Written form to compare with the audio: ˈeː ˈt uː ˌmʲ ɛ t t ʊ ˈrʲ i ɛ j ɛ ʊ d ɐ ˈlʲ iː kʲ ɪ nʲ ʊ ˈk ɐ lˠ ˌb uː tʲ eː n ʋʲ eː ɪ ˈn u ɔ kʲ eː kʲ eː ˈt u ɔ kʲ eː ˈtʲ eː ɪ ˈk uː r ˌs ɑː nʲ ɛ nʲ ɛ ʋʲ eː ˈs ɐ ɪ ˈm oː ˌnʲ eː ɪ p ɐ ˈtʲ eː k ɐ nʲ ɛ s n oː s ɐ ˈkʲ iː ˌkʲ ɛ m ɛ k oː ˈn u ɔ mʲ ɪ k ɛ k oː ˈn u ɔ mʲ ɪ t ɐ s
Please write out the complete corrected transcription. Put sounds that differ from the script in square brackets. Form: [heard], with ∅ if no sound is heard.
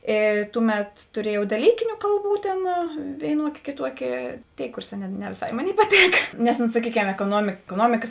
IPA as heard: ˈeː ˈt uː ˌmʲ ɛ t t ʊ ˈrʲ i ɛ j ɛ ʊ d ɐ ˈlʲ iː kʲ ɪ nʲ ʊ ˈk ɐ lˠ ˌb uː tʲ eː n ʋʲ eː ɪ ˈn u ɔ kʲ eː kʲ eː ˈt u ɔ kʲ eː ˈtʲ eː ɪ ˈk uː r ˌs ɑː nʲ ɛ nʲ ɛ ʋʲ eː ˈs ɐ ɪ ˈm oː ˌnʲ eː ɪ p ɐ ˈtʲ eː k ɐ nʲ ɛ s n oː s ɐ ˈkʲ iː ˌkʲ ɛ m ɛ k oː ˈn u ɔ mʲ ɪ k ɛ k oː ˈn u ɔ mʲ ɪ [k] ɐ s